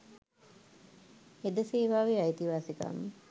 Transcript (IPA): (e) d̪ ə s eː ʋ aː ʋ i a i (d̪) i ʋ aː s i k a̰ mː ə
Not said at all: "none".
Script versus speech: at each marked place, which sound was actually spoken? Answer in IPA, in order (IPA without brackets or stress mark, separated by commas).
e, t̪